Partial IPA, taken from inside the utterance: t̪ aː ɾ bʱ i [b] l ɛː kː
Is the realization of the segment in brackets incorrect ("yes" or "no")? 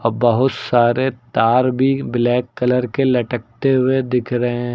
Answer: no